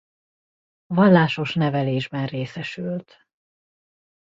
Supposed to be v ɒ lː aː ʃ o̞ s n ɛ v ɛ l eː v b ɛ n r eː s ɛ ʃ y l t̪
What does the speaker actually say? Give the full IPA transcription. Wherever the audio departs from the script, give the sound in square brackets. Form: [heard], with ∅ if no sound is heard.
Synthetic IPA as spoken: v ɒ lː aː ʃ o̞ [ʃ] n ɛ v ɛ l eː [ʒ] b ɛ n r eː s ɛ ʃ y l t̪